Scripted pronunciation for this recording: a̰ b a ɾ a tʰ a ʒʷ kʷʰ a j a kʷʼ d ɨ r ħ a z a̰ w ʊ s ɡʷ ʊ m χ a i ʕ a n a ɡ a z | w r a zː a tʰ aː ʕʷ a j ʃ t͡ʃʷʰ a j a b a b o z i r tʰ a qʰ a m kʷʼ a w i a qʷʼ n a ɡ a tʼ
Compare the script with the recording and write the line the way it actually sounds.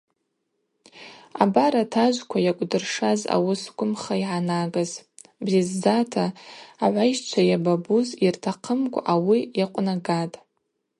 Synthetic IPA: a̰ b a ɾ a tʰ a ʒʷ kʷʰ a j a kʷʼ d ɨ r ʂ a z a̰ w ʊ s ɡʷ ʊ m χ a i ʕ a n a ɡ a z | b r i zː a tʰ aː ʕʷ a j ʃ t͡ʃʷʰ a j a b a b u z i r tʰ a qʰ ə m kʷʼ a w i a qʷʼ n a ɡ a tʼ